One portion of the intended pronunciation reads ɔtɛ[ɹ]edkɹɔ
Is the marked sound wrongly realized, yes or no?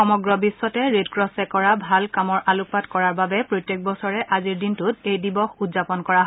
no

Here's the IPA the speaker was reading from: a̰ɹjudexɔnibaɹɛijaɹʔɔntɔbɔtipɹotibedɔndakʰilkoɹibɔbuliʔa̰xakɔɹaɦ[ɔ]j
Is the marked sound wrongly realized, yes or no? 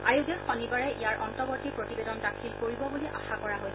yes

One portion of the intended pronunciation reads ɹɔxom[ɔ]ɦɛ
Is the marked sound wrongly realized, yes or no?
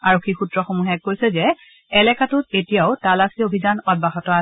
yes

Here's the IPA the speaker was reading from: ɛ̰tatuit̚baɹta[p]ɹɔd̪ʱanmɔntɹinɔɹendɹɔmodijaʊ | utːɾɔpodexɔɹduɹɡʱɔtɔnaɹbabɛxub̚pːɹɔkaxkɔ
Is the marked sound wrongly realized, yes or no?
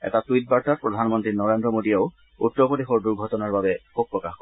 no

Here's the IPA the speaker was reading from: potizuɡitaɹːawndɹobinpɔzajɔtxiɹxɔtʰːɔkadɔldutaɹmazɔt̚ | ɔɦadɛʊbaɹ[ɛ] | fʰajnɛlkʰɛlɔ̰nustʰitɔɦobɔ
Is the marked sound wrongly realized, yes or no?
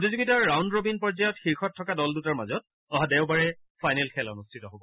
no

